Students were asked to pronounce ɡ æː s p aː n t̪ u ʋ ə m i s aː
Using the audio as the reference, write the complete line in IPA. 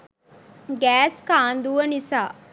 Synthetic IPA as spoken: ɡ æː s k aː n d̪ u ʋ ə n i s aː